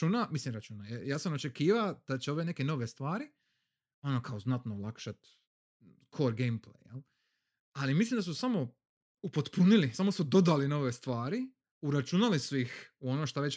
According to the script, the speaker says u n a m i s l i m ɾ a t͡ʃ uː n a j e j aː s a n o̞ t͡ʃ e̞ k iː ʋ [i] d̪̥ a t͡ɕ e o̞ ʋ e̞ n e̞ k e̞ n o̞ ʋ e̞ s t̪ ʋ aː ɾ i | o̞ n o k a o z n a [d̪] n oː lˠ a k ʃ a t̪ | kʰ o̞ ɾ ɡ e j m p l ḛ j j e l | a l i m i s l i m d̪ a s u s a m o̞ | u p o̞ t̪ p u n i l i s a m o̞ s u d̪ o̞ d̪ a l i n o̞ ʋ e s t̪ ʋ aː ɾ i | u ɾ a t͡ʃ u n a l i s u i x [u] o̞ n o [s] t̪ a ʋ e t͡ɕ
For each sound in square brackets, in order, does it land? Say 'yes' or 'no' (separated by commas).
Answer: no, no, yes, no